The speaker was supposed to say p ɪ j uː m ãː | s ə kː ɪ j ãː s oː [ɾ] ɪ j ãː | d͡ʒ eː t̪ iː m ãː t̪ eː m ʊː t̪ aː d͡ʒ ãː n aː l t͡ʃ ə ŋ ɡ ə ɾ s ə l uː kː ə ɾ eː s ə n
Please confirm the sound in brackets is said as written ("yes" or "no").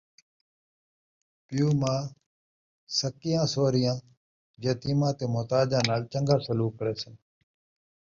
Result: yes